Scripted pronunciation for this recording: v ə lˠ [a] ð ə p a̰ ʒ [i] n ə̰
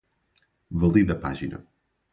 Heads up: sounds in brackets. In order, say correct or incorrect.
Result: incorrect: i, correct

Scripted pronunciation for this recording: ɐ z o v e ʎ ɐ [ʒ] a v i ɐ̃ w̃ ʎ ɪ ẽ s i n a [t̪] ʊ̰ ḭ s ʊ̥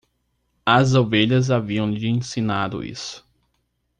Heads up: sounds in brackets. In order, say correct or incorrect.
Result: incorrect: z, incorrect: d̪

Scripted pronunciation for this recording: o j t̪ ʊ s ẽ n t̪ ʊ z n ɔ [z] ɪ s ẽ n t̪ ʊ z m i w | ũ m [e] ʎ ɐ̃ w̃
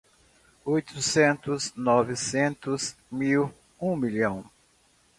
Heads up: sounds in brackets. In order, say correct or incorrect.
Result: incorrect: v, incorrect: i

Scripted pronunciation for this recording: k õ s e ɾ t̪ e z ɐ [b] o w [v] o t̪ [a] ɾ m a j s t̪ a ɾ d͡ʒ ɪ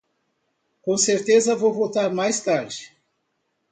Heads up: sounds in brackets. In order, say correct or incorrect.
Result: incorrect: v, correct, correct

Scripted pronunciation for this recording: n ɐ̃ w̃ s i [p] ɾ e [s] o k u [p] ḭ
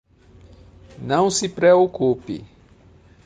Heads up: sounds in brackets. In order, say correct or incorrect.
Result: correct, incorrect: none, correct

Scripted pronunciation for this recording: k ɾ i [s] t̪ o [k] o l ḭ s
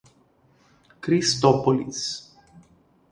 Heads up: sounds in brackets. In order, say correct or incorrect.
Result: correct, incorrect: p

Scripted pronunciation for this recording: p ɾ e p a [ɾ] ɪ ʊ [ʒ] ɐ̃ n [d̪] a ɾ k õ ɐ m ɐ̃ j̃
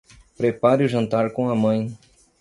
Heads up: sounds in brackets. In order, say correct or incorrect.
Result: correct, correct, incorrect: t̪

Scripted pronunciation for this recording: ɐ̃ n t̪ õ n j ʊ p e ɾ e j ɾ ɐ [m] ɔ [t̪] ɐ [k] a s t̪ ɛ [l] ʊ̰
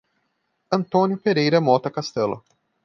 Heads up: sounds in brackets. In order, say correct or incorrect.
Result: correct, correct, correct, correct

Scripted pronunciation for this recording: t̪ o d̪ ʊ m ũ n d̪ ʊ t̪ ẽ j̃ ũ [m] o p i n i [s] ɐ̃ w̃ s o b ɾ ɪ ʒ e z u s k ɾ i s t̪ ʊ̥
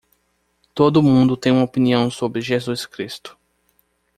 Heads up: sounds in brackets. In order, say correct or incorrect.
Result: correct, incorrect: none

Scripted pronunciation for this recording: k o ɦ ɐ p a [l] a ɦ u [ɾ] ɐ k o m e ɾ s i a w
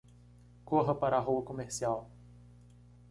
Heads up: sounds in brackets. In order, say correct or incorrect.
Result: incorrect: ɾ, incorrect: none

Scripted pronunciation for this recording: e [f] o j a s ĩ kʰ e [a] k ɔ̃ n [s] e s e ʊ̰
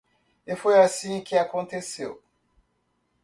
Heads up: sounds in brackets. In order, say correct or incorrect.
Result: correct, correct, incorrect: t

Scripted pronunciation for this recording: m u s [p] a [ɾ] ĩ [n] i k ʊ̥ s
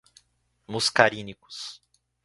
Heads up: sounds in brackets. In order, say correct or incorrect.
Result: incorrect: k, correct, correct

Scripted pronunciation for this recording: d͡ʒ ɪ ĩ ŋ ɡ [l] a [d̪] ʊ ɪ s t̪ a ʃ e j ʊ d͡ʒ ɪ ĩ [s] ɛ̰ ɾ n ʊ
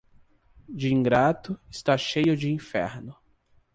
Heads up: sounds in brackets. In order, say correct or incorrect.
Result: incorrect: ɾ, incorrect: t̪, incorrect: f

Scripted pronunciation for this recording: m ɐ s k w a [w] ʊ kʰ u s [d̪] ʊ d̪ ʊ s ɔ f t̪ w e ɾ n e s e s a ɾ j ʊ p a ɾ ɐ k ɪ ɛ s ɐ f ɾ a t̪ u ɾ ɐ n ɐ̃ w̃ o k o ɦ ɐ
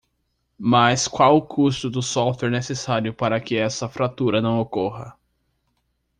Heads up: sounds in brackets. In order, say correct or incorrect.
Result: correct, incorrect: t̪

